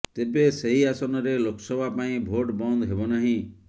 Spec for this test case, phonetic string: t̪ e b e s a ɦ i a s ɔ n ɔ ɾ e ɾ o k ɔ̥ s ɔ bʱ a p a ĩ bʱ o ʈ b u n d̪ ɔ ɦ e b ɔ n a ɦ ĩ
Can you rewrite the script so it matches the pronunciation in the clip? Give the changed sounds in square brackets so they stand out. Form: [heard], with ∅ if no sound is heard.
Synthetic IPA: t̪ e b e s [e] ɦ i a s ɔ n ɔ ɾ e [l] o k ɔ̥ s ɔ bʱ a p a ĩ bʱ o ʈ b [ɔ] n d̪ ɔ ɦ e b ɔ n a ɦ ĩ